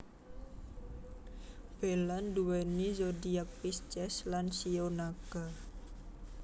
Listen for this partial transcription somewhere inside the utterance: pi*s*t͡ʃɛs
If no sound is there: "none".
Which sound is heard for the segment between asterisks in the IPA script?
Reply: s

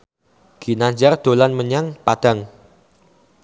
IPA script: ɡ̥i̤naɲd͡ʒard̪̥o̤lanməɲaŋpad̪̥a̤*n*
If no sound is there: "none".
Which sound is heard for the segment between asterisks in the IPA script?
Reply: ŋ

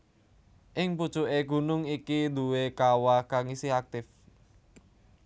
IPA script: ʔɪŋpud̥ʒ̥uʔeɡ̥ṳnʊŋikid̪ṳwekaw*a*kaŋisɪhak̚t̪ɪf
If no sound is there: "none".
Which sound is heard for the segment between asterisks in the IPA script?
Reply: a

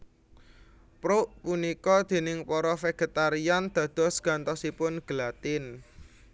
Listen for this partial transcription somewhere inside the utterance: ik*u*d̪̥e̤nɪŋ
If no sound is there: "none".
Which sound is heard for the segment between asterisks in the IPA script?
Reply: ɔ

